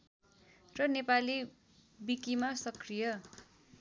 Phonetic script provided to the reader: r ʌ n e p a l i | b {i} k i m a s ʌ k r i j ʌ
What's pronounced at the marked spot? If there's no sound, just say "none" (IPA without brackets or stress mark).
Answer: i